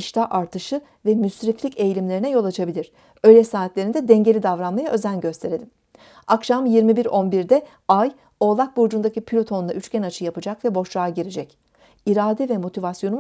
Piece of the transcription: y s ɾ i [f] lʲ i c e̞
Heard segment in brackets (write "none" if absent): f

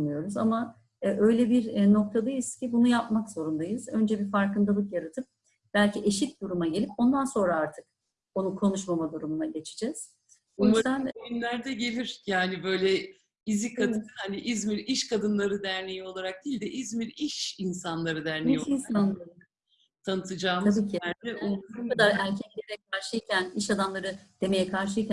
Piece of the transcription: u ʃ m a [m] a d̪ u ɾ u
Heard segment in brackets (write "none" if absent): m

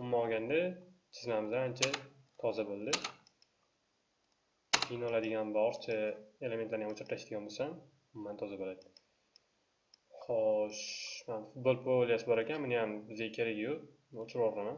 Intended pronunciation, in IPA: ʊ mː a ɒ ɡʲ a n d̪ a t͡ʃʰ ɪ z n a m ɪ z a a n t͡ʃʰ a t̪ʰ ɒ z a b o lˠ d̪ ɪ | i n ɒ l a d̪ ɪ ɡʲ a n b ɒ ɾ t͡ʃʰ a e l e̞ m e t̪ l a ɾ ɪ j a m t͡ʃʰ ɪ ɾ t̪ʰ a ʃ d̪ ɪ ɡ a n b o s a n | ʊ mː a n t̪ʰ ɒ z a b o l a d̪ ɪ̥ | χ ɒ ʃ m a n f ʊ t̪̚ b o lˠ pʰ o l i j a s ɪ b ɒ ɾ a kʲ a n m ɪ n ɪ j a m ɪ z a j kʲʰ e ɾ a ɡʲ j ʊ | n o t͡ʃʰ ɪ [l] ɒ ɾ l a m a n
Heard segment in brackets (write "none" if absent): ɾ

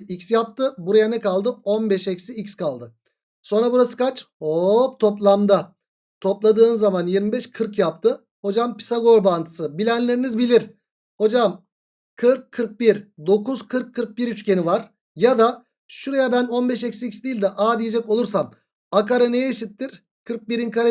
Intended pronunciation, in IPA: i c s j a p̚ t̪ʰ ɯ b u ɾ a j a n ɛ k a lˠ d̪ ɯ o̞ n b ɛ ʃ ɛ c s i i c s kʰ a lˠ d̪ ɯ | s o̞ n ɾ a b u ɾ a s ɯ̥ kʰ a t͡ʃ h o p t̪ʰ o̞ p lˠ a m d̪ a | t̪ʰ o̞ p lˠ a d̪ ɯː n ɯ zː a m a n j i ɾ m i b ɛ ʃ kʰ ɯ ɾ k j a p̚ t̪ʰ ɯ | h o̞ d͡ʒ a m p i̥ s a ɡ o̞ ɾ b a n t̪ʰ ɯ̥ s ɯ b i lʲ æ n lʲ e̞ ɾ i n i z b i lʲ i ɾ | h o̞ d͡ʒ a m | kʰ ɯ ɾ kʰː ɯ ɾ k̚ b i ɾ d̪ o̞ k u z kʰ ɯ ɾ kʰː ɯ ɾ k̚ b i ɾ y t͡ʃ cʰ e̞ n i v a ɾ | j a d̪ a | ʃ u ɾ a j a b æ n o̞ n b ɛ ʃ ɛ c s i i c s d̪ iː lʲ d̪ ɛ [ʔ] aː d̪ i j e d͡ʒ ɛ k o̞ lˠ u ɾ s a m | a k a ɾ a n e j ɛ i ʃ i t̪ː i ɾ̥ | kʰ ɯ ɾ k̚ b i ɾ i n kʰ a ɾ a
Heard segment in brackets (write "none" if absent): ʔ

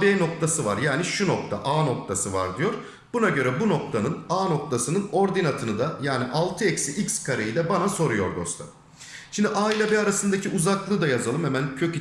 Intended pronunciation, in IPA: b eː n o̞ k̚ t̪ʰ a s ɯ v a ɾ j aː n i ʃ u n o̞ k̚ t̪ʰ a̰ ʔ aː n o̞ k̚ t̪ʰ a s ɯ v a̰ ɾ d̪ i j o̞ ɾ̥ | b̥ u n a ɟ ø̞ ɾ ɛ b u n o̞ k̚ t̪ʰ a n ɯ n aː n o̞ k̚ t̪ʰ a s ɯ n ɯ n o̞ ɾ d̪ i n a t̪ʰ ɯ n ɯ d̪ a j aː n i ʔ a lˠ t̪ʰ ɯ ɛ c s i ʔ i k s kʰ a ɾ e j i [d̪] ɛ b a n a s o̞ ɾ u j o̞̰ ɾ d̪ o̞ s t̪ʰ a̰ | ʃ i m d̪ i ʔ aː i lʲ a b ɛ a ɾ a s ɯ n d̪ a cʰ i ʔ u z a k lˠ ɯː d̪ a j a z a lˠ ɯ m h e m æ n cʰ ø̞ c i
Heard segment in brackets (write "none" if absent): d̪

